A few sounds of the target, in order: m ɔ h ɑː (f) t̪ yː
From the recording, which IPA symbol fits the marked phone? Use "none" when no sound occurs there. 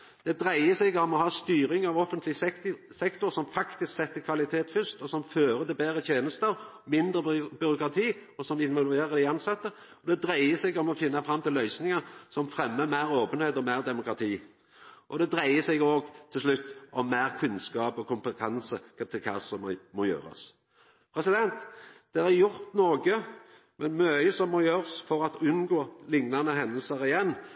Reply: s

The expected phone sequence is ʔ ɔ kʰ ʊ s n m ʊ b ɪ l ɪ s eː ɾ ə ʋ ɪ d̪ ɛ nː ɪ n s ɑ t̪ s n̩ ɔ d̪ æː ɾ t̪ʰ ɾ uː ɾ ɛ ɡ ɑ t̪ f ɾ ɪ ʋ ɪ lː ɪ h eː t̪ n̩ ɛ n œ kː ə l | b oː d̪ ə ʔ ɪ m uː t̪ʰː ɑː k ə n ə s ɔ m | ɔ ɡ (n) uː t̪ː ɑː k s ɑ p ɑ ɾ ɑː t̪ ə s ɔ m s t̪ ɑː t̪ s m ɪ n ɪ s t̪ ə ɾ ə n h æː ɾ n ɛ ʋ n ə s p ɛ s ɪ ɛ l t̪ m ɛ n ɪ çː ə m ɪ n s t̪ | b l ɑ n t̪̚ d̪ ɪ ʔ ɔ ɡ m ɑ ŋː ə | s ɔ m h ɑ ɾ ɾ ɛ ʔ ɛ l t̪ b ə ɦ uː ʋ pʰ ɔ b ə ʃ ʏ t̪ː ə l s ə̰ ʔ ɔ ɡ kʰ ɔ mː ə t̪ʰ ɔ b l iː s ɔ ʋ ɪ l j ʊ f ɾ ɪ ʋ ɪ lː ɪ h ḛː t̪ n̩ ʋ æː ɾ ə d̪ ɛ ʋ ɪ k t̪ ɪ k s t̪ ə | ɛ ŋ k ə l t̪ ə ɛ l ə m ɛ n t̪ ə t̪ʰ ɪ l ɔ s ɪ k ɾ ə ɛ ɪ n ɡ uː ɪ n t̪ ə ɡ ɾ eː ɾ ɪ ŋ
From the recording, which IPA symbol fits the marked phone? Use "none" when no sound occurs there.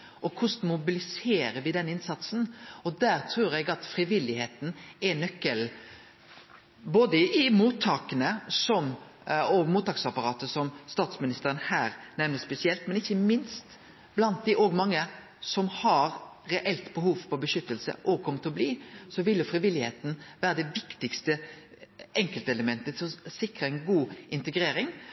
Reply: m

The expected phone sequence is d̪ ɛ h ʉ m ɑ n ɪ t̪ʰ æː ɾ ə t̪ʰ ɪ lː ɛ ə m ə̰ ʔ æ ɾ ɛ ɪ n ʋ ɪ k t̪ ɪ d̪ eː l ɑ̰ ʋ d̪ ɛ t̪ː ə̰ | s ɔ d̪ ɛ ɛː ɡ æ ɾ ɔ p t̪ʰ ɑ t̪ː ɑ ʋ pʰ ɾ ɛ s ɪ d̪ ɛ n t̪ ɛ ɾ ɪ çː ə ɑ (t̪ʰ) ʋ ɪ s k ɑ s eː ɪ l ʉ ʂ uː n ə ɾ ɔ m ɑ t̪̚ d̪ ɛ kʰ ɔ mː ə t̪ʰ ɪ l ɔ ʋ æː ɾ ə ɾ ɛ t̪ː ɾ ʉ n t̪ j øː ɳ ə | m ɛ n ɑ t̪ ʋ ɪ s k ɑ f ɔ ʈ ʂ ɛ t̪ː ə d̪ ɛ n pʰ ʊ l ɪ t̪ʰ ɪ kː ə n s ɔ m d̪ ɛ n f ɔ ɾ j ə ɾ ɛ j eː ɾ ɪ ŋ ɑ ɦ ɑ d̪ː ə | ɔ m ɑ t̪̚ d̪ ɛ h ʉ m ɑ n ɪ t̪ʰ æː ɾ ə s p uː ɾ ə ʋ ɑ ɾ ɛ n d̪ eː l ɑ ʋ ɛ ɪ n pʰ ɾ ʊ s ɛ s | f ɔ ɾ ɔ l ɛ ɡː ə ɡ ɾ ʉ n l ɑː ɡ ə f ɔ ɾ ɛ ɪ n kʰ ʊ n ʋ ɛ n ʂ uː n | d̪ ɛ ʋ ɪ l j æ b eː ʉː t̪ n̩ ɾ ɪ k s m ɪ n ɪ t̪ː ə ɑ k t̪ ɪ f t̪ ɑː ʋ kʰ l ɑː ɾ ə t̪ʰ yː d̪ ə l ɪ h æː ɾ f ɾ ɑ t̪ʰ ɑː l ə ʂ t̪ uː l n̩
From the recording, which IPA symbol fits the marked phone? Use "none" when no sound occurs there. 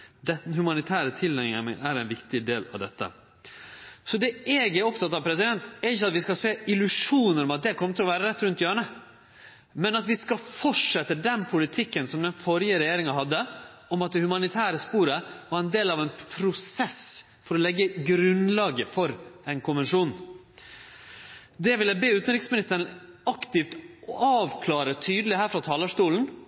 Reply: t̪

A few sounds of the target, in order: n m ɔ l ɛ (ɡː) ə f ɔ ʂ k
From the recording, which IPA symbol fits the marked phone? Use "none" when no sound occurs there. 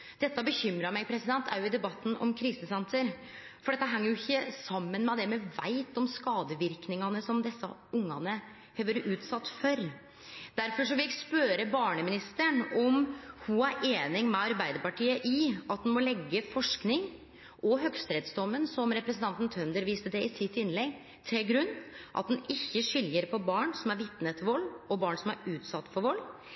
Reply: ɡː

